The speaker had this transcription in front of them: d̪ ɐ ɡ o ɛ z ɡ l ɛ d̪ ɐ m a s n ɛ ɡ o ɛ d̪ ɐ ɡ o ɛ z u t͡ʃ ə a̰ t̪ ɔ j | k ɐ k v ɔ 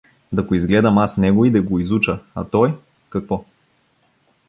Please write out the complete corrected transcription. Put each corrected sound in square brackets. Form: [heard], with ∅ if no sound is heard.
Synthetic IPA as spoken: d̪ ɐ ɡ o [i] z ɡ l ɛ d̪ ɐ m a s n ɛ ɡ o [i] d̪ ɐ ɡ o [i] z u t͡ʃ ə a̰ t̪ ɔ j | k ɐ k v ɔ